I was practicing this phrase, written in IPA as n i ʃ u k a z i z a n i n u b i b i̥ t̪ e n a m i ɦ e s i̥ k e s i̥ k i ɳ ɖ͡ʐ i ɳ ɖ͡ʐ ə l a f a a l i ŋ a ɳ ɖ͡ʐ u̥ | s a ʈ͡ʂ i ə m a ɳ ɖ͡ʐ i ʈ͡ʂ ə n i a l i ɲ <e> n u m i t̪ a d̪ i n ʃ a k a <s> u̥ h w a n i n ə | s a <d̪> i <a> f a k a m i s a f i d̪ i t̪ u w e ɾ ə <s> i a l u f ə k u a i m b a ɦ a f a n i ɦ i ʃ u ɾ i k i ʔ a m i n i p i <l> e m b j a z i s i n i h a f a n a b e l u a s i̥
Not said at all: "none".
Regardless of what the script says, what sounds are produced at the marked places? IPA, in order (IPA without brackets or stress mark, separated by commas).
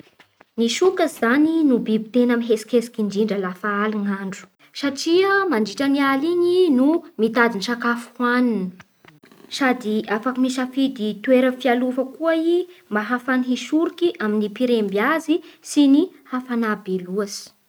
i, f, d̪, a, f, ɾ